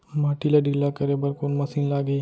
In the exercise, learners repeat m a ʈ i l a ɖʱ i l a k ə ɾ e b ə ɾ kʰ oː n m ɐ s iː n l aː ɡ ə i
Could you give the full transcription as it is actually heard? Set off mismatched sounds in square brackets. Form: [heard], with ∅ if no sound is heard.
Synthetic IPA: m a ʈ i l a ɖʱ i l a k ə ɾ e b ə ɾ [k] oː n m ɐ s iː n l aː ɡ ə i